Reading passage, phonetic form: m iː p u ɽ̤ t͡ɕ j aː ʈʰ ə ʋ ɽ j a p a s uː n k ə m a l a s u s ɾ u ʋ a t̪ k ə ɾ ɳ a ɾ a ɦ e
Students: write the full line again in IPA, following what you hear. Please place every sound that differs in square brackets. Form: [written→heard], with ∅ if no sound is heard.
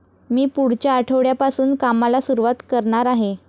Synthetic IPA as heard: m iː p u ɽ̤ t͡ɕ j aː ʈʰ ə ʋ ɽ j a p a s uː n k [ə→a] m a l a s u [s→∅] ɾ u ʋ a t̪ k ə ɾ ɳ a ɾ a ɦ e